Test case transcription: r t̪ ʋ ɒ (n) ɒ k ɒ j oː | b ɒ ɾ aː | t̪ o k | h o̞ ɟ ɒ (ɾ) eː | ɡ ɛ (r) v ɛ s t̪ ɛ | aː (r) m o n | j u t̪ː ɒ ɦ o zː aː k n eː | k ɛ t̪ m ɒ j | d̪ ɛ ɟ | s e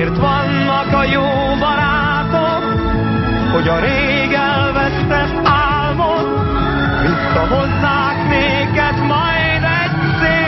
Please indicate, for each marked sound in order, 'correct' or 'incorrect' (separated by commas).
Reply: incorrect, correct, incorrect, incorrect